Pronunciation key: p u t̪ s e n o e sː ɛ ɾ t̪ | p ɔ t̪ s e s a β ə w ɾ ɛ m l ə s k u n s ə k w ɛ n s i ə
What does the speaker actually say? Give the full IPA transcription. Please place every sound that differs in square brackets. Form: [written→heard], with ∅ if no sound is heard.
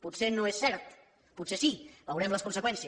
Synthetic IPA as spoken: p u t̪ s e n o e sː ɛ ɾ t̪ | p [ɔ→u] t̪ s e s [a→i] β ə w ɾ ɛ m l ə s k u n s ə k w ɛ n s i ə